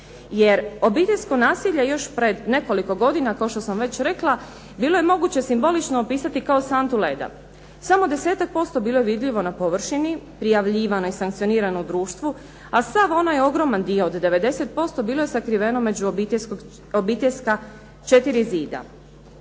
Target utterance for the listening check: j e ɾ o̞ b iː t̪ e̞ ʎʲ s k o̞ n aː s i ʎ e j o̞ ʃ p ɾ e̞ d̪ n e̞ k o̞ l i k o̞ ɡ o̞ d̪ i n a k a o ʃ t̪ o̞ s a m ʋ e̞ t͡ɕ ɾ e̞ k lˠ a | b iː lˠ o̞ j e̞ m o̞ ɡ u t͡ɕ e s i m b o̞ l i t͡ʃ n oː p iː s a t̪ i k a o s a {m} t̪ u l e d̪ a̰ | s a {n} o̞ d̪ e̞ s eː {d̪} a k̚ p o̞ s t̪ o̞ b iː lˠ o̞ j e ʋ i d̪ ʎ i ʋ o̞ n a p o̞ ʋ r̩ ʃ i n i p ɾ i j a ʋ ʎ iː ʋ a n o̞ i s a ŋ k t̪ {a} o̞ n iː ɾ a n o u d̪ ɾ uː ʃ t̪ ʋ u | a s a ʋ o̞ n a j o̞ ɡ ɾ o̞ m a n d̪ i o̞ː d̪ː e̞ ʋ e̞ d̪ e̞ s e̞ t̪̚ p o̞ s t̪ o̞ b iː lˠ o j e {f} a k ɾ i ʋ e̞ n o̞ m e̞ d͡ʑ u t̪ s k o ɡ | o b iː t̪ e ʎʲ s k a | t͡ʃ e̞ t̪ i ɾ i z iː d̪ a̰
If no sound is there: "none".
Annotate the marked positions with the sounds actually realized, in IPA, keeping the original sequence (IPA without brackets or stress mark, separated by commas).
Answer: n, m, t̪, i, s